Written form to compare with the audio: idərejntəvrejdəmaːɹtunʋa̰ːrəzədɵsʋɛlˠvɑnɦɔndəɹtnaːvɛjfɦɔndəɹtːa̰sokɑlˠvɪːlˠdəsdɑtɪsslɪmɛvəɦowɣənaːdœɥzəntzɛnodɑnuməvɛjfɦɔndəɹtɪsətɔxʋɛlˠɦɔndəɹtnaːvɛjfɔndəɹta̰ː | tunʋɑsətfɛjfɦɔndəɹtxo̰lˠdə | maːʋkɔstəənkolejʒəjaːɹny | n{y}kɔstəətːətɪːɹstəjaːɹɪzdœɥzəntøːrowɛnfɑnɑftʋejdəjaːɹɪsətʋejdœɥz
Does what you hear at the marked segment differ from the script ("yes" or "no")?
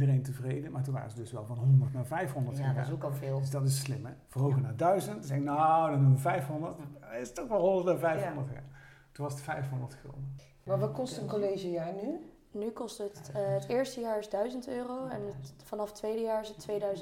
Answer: no